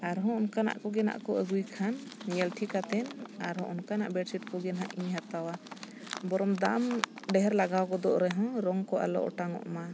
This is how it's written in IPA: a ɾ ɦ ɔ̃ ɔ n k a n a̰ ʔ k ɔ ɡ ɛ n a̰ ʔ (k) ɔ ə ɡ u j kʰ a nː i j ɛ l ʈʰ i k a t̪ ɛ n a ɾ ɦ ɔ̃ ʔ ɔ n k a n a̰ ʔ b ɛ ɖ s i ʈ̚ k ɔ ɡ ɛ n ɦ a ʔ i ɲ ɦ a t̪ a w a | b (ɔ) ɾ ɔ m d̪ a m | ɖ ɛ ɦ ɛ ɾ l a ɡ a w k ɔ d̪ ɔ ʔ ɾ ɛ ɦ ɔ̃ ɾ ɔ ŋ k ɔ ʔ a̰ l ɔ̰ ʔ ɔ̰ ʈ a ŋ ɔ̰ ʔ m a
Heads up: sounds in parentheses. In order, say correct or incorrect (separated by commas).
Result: correct, correct